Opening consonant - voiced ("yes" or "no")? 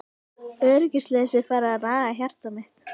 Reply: yes